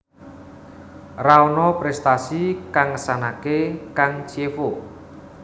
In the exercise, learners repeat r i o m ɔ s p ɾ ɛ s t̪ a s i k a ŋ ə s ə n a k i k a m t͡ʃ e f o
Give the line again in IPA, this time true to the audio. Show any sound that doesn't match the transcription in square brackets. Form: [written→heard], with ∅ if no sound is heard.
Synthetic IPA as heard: r [i→a] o [m→n] ɔ [s→∅] p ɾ ɛ s t̪ a s i k a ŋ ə s [ə→a] n a k [i→e] k a [m→ŋ] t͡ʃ e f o